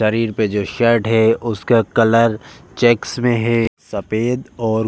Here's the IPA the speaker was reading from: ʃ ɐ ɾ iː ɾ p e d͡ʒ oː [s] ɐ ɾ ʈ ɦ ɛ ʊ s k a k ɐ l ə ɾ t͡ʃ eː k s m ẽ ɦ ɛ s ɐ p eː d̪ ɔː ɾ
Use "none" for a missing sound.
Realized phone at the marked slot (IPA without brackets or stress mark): ʃ